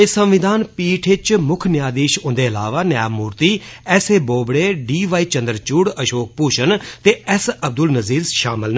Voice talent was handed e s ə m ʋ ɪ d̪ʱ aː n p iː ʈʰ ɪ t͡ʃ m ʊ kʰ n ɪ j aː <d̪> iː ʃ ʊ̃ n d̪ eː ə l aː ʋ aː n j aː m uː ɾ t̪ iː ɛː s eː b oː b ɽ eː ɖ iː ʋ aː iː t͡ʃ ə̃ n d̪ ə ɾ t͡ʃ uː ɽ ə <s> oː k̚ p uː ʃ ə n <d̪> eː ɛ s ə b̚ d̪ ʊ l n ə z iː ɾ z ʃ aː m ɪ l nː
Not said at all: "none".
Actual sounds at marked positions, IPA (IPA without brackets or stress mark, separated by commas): d̪, ʃ, t̪